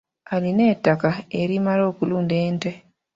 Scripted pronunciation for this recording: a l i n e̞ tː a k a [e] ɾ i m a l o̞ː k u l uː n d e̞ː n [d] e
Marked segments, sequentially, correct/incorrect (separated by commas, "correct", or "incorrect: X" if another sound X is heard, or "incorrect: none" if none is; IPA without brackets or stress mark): correct, incorrect: t